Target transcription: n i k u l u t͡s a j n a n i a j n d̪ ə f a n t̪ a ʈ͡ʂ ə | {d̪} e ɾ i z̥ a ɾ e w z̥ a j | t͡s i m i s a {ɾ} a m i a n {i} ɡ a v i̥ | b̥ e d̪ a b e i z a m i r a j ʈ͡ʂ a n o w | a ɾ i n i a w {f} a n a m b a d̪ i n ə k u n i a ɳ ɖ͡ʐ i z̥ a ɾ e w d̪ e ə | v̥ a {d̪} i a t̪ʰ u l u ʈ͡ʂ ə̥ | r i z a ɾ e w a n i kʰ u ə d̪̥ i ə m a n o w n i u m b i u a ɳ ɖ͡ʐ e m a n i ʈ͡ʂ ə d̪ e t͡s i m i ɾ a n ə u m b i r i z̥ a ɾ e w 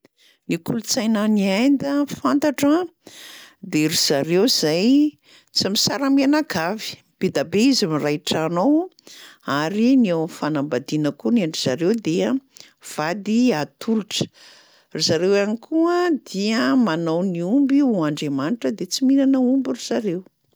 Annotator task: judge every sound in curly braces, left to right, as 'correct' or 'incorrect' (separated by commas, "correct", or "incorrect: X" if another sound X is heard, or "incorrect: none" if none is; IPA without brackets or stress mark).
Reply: correct, correct, incorrect: a, correct, correct